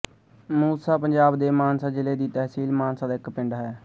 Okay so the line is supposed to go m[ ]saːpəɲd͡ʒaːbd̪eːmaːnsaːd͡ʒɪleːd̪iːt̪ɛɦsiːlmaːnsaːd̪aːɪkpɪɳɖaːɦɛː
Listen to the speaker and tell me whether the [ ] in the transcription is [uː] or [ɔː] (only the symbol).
uː